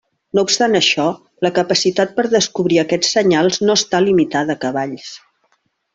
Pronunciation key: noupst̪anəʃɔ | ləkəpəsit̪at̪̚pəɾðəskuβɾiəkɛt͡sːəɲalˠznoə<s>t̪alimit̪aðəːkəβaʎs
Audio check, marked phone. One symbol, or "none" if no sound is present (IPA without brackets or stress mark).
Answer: s